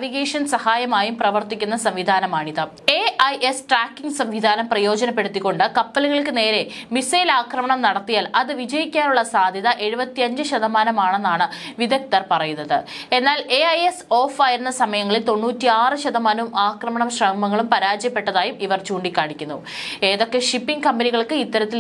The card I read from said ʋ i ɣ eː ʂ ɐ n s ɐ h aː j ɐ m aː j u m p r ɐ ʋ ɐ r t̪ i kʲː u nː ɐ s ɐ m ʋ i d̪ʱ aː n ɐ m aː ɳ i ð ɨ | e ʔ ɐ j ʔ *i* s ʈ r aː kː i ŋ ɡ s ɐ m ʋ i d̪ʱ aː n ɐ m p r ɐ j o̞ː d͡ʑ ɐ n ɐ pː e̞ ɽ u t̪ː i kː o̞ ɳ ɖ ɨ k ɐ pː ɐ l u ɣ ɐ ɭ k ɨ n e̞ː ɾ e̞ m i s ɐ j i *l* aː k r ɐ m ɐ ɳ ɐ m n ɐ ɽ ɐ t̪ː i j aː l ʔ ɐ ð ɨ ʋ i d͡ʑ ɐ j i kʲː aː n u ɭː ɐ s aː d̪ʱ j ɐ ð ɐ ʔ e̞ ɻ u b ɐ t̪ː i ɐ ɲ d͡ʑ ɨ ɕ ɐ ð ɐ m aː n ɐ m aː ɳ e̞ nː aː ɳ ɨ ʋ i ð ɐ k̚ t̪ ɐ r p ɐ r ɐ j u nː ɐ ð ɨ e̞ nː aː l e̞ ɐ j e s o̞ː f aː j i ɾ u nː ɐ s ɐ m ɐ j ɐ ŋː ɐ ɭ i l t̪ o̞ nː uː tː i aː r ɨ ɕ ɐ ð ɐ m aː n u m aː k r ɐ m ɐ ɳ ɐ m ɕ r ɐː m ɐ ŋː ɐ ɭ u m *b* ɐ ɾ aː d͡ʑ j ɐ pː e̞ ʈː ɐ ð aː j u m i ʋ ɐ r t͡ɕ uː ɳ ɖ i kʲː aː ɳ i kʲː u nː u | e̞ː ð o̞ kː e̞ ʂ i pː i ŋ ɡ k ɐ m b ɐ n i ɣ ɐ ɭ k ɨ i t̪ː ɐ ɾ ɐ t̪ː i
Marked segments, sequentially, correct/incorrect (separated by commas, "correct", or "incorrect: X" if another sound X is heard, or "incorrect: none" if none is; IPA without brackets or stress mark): incorrect: e, correct, incorrect: p